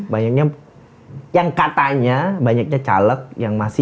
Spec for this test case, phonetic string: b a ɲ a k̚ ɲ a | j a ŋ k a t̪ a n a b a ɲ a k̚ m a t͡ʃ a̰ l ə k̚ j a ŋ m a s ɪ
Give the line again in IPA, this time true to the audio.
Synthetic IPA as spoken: b a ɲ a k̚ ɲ a | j a ŋ k a t̪ a ɲ a b a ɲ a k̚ ɲ a t͡ʃ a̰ l ə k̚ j a ŋ m a s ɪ